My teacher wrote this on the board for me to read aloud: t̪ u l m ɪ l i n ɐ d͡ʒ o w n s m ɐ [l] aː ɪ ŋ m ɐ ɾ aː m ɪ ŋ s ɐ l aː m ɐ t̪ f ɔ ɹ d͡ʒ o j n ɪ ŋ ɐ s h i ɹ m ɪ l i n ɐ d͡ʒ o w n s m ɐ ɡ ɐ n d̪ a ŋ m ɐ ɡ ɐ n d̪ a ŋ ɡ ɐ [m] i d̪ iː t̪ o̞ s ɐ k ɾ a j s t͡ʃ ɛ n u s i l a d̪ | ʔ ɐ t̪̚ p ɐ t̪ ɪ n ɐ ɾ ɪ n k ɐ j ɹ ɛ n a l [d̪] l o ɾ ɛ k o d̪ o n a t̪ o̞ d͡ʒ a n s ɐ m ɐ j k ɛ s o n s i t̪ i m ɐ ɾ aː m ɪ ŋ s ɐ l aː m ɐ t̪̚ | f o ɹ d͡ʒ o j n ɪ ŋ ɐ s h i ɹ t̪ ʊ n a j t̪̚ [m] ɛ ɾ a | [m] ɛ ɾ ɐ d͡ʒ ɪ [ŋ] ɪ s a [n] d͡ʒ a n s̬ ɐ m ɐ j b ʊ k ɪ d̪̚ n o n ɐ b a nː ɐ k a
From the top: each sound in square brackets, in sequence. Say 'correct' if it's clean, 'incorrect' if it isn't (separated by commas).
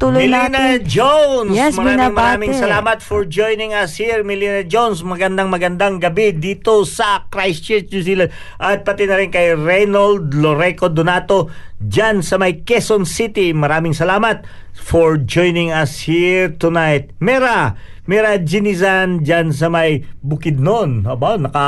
incorrect, incorrect, correct, correct, correct, incorrect, correct